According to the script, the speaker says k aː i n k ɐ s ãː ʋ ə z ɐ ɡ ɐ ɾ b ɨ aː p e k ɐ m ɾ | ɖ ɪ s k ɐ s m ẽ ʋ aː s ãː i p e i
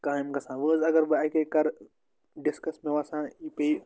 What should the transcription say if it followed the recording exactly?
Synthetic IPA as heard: k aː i m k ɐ s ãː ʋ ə z ɐ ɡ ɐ ɾ b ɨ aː k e k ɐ ɾ | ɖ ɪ s k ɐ s m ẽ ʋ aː s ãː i p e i